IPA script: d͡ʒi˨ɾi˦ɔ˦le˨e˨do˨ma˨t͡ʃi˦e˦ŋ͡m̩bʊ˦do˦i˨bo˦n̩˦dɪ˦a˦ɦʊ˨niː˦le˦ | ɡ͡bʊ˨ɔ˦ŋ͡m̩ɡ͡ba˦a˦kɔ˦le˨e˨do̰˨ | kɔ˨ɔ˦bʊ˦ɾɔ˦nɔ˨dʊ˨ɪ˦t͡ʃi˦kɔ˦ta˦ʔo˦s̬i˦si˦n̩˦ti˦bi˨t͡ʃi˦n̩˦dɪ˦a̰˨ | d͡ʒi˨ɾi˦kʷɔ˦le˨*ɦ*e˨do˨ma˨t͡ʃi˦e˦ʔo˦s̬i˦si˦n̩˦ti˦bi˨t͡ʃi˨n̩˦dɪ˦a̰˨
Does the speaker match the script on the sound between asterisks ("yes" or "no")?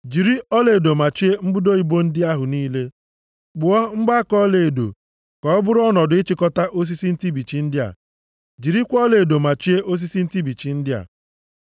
no